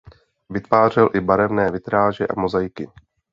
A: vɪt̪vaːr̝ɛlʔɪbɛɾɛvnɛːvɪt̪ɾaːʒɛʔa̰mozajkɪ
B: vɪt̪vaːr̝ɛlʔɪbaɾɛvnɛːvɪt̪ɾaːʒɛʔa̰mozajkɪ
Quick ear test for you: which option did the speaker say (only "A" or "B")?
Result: B